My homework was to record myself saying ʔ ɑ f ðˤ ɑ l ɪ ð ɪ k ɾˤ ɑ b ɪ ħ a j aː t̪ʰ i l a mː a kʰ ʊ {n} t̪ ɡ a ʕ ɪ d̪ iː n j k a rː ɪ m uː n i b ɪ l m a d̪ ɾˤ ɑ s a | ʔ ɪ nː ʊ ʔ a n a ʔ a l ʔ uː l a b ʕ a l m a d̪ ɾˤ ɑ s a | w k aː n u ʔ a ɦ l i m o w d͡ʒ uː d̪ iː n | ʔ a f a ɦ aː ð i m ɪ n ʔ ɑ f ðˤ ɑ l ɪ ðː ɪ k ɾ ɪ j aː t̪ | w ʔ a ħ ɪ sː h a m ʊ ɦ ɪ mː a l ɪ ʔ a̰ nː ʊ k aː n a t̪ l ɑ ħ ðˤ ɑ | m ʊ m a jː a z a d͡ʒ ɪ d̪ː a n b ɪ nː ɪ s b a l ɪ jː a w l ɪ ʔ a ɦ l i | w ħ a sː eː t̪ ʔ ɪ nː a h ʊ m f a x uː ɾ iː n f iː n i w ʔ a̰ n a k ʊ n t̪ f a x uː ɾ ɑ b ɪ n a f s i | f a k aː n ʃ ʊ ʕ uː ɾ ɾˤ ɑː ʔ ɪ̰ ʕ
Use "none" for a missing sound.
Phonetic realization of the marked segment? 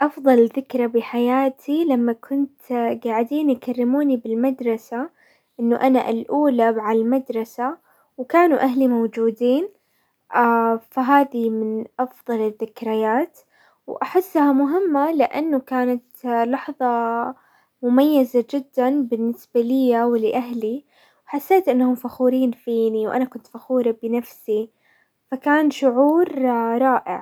n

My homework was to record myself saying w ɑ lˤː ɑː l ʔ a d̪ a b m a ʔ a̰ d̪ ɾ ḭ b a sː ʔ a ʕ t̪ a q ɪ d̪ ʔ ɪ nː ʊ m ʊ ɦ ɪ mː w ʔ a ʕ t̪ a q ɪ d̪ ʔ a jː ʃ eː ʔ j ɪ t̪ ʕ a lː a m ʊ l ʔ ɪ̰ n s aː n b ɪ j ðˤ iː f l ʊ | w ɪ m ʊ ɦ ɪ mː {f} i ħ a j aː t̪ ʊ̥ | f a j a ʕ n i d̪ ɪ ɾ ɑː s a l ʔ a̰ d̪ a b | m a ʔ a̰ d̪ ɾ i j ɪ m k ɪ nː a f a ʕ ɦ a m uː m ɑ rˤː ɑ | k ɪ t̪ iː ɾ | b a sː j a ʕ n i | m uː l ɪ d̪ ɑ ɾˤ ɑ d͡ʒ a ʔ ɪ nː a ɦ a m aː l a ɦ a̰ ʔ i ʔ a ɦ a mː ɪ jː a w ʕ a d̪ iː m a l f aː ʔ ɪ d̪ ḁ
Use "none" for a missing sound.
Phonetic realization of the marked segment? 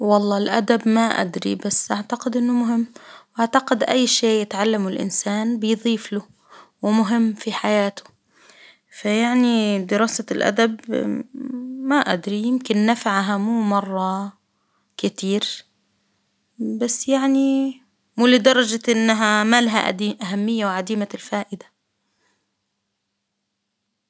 f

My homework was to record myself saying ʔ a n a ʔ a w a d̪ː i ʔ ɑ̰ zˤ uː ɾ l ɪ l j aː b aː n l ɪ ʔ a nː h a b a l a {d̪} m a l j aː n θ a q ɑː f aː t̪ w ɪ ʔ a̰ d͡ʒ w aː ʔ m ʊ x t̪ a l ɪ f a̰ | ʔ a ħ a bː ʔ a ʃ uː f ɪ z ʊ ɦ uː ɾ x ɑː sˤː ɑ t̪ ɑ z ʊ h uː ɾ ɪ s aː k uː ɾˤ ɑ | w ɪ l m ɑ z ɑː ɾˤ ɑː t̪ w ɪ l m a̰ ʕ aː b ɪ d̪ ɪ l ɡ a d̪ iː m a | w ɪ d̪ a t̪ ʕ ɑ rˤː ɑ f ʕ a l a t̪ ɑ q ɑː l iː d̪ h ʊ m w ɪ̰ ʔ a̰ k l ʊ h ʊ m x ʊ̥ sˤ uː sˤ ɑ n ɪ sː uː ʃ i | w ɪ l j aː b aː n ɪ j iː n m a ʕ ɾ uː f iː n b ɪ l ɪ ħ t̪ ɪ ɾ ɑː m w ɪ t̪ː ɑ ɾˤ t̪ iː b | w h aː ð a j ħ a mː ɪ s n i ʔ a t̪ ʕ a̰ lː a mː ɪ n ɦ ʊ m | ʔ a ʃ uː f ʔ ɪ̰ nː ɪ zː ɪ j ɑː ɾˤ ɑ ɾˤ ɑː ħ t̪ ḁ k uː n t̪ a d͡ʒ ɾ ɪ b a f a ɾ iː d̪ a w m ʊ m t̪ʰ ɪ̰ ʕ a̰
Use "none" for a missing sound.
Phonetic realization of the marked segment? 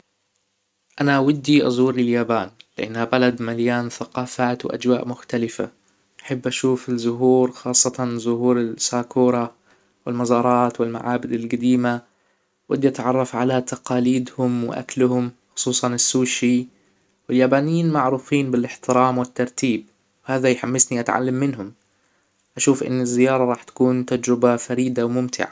d̪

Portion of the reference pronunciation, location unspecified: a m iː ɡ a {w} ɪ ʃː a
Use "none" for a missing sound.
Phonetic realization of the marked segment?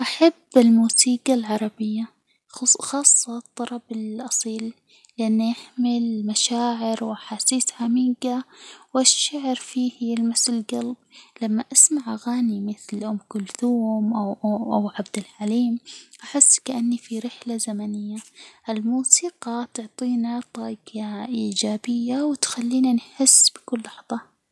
w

